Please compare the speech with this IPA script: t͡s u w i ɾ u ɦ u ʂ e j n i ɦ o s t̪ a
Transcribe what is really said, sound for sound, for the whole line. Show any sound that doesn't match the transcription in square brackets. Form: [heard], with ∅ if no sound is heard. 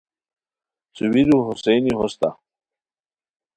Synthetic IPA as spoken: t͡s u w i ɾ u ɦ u [s] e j n i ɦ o s t̪ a